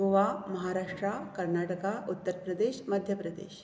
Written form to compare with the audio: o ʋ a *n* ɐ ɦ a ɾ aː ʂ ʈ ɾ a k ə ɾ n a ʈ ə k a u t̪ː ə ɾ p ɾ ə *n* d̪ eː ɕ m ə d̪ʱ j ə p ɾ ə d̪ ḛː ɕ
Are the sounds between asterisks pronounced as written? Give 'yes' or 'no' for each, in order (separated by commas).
no, no